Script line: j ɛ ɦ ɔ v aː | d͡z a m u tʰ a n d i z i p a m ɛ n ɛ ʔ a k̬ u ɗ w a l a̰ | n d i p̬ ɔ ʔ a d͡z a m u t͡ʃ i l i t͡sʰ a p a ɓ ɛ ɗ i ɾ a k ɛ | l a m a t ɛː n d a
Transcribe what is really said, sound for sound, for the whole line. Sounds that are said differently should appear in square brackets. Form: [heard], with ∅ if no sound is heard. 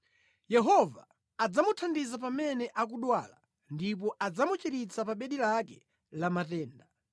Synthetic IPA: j ɛ ɦ ɔ v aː | d͡z a m u tʰ a n d i z [a] p a m ɛ n ɛ ʔ a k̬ u ɗ w a l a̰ | n d i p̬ ɔ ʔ a d͡z a m u t͡ʃ i [ɾ] i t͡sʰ a p a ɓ ɛ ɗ i [l] a k ɛ | l a m a t ɛː n d a